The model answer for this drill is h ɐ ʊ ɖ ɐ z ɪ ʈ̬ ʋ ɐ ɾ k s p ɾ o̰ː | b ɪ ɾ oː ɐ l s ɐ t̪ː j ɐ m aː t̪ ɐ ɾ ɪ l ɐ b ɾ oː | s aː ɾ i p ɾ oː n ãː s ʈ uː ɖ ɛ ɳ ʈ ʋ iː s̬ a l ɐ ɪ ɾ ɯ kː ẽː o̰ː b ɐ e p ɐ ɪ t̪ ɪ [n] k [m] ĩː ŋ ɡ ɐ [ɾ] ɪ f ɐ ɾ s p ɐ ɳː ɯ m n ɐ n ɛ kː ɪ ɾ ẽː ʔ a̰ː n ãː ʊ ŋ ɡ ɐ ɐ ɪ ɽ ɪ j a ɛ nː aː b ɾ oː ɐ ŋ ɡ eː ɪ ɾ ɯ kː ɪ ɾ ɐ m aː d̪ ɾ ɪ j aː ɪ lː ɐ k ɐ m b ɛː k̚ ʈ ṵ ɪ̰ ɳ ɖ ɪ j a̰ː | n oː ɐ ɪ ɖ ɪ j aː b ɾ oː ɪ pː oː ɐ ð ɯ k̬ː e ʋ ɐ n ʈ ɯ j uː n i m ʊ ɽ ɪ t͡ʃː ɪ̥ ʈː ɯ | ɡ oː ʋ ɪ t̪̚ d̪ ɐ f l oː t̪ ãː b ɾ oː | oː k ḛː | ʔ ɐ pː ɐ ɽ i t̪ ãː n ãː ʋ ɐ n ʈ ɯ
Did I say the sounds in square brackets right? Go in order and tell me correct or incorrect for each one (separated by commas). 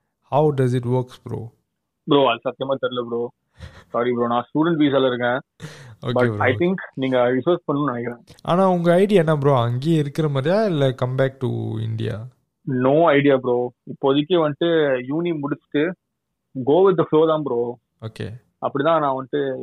incorrect, incorrect, correct